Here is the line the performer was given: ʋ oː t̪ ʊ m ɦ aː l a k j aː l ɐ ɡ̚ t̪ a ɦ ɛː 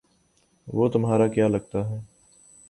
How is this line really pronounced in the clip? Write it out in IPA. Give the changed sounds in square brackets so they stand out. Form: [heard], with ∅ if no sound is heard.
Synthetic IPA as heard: ʋ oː t̪ ʊ m ɦ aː [ɾ] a k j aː l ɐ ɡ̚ t̪ a ɦ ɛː